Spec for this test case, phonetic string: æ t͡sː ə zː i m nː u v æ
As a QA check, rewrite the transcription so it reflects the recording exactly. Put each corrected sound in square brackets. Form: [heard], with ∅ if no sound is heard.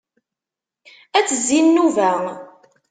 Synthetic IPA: æ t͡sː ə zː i [n] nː u v æ